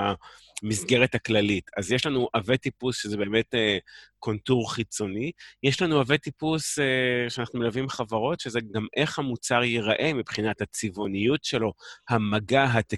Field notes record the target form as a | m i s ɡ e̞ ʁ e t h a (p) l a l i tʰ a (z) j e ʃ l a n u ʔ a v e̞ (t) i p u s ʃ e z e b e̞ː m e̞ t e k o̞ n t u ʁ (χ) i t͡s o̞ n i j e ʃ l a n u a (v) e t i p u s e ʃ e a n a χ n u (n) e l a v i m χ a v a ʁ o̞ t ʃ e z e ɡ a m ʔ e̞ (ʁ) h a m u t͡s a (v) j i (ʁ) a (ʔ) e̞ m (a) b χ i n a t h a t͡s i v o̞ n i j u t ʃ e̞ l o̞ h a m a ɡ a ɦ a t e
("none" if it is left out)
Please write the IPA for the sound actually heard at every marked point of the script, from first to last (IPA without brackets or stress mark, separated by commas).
k, z, t, χ, v, m, χ, ʁ, ʁ, ʔ, i